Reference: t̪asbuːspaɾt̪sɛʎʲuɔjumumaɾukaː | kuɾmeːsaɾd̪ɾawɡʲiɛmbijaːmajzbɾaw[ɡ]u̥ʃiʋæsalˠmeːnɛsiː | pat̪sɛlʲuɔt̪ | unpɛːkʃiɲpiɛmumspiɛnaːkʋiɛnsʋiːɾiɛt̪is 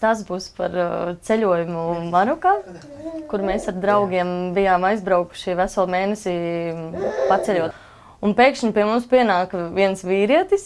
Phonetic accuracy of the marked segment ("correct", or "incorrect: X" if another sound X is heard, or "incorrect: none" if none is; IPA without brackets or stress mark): incorrect: k